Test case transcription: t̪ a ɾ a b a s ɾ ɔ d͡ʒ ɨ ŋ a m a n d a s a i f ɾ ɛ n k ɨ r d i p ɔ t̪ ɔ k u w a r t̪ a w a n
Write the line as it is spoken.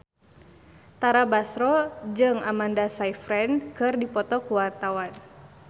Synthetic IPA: t̪ a ɾ a b a s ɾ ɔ d͡ʒ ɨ ŋ a m a n d a s a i f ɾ ɛ n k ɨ r d i p ɔ t̪ ɔ k u w a r t̪ a w a n

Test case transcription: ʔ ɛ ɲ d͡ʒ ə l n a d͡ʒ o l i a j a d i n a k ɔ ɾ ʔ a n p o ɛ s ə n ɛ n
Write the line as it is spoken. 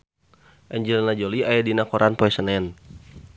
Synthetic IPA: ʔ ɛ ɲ d͡ʒ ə l n a d͡ʒ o l i a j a d i n a k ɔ ɾ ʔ a n p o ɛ s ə n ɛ n

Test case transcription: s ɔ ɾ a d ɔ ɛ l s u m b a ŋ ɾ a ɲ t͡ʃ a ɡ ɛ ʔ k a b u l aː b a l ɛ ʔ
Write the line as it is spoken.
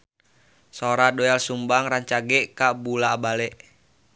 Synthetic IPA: s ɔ ɾ a d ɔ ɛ l s u m b a ŋ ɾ a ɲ t͡ʃ a ɡ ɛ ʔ k a b u l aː b a l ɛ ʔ

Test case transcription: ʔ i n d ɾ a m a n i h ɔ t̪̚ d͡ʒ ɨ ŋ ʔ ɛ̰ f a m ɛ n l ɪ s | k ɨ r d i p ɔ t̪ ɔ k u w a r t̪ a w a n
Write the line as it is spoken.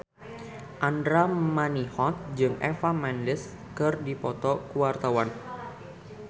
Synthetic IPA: ʔ a n d ɾ a m a n i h ɔ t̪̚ d͡ʒ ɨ ŋ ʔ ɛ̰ f a m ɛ n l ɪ s | k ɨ r d i p ɔ t̪ ɔ k u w a r t̪ a w a n

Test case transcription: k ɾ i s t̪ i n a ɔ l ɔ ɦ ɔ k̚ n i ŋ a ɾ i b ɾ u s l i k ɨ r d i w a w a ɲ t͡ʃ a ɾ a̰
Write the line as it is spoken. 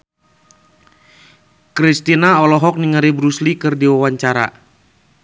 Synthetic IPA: k ɾ i s t̪ i n a ɔ l ɔ ɦ ɔ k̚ n i ŋ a ɾ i b ɾ u s l i k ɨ r d i w a w a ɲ t͡ʃ a ɾ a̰

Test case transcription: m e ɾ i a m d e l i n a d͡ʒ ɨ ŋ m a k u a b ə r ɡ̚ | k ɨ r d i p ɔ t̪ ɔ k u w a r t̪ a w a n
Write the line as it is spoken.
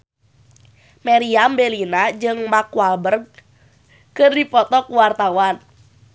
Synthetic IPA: m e ɾ i a m b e l i n a d͡ʒ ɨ ŋ m a k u a b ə r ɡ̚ | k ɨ r d i p ɔ t̪ ɔ k u w a r t̪ a w a n

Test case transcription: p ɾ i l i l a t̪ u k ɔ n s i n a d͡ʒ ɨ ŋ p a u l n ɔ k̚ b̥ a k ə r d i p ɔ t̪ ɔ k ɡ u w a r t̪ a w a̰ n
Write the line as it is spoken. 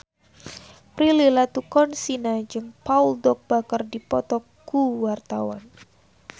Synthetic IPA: p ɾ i l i l a t̪ u k ɔ n s i n a d͡ʒ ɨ ŋ p a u l d ɔ k̚ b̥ a k ə r d i p ɔ t̪ ɔ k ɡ u w a r t̪ a w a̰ n

